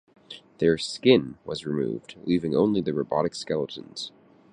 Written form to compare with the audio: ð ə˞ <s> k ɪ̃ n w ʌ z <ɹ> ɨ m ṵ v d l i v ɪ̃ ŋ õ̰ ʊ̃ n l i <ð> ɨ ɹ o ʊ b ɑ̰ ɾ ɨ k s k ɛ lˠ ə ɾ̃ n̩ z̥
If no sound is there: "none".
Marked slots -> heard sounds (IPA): s, ɹ, ð

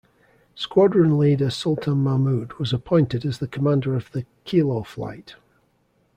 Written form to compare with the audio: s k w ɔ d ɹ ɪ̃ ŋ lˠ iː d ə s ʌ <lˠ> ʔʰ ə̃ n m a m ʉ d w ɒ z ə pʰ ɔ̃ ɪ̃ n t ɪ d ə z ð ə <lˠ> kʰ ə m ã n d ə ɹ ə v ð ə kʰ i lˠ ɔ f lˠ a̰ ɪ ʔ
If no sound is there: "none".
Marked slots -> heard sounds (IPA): lˠ, none

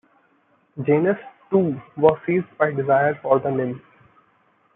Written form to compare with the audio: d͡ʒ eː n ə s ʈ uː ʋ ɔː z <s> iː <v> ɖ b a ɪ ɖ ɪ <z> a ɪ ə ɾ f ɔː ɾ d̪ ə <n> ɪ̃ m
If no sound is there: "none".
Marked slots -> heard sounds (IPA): s, z, z, n

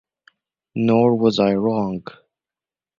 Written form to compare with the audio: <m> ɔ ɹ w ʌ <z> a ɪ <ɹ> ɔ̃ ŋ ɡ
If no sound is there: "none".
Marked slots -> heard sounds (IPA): n, z, ɹ

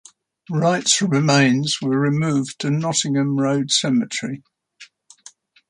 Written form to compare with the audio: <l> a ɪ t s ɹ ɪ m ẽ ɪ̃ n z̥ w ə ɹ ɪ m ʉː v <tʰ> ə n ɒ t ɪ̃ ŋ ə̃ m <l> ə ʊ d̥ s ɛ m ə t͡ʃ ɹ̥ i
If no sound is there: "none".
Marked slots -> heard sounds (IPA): ɹ, tʰ, ɹ

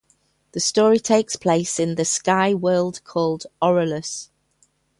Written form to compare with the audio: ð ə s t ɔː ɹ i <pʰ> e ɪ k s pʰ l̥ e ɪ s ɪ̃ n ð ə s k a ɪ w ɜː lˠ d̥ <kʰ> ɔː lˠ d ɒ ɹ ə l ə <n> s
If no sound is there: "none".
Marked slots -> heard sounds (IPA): tʰ, kʰ, none

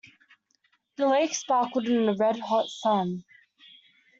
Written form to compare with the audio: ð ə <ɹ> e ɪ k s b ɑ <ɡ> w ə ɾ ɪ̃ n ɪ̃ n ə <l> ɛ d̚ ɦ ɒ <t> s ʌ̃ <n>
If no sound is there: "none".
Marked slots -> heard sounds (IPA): l, k, ɹ, t, n

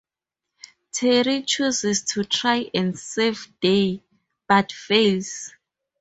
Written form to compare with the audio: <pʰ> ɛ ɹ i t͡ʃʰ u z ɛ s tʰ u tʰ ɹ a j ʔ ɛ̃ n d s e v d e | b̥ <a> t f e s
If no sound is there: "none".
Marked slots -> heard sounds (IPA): tʰ, a

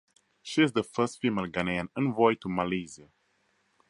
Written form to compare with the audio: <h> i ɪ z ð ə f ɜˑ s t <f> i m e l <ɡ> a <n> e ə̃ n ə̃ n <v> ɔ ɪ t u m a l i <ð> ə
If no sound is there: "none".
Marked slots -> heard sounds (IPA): ʃ, f, ɡ, n, v, z

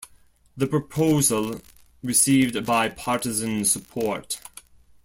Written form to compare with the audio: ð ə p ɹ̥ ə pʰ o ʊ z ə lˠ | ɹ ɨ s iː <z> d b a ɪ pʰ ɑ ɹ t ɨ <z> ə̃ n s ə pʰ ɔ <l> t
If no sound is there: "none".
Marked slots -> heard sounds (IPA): v, z, ɹ

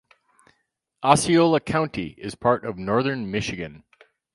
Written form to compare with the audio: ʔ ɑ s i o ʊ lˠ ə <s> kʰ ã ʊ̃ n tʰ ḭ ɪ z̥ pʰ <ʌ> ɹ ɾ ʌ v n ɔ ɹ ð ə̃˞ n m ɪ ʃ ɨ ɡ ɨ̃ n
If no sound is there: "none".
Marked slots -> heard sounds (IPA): none, ɑ

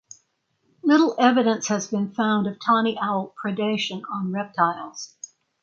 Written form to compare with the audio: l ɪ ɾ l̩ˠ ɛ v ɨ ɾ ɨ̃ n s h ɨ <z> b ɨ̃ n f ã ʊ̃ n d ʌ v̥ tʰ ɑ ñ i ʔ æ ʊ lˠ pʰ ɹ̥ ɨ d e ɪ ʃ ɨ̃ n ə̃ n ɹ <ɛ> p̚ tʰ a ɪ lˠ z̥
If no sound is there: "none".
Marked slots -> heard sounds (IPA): z, ɛ

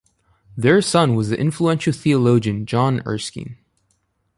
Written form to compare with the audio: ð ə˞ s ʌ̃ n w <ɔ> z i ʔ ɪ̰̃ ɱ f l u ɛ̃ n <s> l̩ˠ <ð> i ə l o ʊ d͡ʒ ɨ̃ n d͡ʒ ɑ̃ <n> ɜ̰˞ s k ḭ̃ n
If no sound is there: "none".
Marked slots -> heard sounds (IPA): ʌ, ʃ, θ, n

